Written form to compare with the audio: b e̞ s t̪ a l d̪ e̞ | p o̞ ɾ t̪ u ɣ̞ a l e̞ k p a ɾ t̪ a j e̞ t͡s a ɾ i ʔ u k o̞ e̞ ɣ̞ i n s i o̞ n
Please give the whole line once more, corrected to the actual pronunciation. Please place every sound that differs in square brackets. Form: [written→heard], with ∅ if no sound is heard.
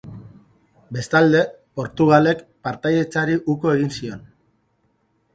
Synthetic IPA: b e̞ s t̪ a l d̪ e̞ | p o̞ ɾ t̪ u ɣ̞ a l e̞ k p a ɾ t̪ a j e̞ t͡s a ɾ i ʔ u k o̞ e̞ ɣ̞ i n s i o̞ n